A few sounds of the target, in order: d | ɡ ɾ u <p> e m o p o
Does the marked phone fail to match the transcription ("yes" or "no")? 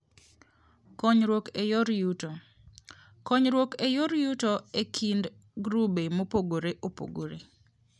yes